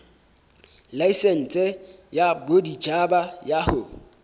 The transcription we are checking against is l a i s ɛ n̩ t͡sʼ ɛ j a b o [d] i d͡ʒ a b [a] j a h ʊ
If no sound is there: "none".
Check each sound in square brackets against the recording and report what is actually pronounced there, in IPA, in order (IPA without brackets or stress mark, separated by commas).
d, a